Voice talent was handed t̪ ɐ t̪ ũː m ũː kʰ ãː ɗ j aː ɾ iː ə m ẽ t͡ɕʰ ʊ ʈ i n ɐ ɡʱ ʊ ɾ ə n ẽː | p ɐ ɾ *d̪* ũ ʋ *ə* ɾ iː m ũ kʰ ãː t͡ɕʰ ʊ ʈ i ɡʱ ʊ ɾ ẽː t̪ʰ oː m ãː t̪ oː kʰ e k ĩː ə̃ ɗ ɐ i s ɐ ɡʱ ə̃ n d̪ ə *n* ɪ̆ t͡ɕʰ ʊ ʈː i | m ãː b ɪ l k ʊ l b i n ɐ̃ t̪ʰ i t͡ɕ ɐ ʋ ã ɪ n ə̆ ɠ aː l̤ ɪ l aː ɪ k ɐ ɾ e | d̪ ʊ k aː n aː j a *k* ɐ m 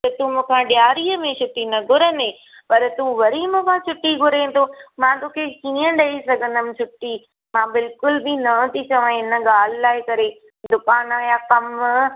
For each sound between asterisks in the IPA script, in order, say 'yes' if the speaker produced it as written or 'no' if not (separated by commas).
no, no, no, yes